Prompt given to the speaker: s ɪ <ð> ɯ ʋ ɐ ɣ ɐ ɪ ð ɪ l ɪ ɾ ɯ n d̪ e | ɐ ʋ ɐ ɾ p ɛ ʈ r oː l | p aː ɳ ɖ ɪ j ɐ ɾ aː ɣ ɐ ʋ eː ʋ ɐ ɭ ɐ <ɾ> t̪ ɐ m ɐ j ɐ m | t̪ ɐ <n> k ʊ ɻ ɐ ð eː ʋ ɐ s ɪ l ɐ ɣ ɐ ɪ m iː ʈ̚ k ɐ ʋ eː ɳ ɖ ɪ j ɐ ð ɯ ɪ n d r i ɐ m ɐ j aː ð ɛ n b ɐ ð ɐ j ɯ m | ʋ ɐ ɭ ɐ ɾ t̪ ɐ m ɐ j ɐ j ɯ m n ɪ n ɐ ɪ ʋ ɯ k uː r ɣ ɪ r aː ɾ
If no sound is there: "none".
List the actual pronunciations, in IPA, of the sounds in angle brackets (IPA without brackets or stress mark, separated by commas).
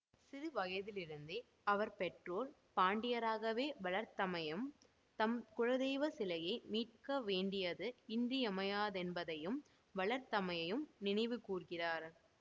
ð, ɾ, m